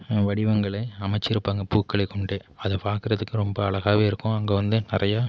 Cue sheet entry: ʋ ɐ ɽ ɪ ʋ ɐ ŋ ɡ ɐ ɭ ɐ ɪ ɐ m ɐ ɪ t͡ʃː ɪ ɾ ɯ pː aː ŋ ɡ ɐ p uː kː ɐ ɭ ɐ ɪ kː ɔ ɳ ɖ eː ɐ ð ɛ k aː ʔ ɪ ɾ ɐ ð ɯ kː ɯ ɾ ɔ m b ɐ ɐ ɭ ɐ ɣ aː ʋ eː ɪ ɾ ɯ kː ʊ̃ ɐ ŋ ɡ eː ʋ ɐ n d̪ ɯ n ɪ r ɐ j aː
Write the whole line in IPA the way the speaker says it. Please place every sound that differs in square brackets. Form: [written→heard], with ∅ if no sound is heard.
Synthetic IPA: ʋ ɐ ɽ ɪ ʋ ɐ ŋ ɡ ɐ ɭ ɐ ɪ ɐ m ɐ ɪ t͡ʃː ɪ ɾ ɯ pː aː ŋ ɡ ɐ p uː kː ɐ ɭ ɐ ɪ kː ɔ ɳ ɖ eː ɐ ð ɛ [k→p] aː [ʔ→k] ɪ ɾ ɐ ð ɯ kː ɯ ɾ ɔ m b ɐ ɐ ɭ ɐ ɣ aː ʋ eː ɪ ɾ ɯ kː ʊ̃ ɐ ŋ ɡ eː ʋ ɐ n d̪ ɯ n ɪ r ɐ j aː